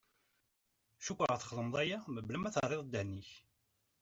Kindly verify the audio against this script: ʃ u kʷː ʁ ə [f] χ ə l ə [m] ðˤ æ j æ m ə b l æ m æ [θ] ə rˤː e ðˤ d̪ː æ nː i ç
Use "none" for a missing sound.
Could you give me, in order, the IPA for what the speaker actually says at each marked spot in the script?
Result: θ, m, θ

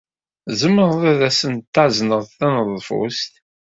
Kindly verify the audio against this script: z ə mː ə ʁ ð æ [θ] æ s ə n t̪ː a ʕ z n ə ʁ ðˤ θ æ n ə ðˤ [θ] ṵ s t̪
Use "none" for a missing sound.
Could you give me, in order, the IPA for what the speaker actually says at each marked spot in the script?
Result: ð, f

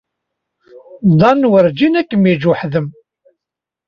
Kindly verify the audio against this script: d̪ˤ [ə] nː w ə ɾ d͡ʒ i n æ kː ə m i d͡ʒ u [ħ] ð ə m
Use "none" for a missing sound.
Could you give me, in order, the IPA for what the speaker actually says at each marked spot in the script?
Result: ɑ, ħ

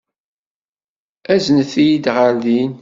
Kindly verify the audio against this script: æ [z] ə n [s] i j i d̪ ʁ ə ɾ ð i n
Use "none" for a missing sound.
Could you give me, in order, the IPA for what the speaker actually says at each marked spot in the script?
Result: z, θ

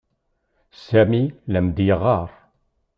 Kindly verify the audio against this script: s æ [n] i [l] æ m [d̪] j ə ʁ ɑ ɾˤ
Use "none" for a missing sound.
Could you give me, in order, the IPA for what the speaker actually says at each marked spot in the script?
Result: m, l, d̪

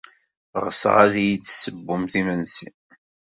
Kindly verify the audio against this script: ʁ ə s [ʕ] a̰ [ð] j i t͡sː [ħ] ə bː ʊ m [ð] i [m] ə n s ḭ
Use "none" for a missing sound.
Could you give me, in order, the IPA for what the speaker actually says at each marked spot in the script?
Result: ʁ, ð, s, θ, m

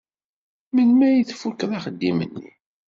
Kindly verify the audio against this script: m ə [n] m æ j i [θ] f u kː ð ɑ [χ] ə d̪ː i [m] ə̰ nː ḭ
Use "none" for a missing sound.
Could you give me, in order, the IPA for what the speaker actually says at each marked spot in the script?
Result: n, θ, χ, m

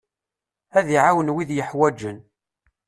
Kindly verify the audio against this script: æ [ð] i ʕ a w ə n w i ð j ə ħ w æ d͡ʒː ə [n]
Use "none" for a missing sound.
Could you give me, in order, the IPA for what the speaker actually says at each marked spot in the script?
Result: ð, n

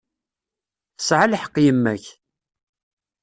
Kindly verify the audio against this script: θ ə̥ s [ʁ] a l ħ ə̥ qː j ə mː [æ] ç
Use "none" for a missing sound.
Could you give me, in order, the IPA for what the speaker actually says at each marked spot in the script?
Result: ʕ, æ

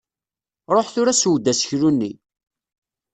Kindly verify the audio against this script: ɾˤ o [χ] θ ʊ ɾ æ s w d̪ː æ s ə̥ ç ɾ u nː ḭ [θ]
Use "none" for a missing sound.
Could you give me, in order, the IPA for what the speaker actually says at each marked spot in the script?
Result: ħ, none

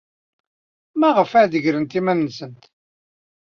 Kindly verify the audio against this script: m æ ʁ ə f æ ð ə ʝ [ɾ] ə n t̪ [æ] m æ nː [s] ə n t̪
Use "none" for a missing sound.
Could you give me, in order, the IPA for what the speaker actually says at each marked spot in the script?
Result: ɾ, i, s

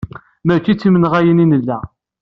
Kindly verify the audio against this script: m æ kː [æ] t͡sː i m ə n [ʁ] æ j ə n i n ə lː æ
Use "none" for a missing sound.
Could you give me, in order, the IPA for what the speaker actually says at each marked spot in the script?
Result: i, ʁ

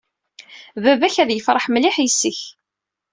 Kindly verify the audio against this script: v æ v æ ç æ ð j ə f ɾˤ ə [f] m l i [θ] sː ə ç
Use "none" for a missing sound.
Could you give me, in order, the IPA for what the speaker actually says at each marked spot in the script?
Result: ħ, ħ

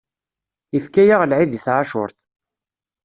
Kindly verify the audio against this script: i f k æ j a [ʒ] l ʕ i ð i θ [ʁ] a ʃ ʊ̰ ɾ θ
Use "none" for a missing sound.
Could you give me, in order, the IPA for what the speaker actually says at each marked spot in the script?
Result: ʁ, ʕ

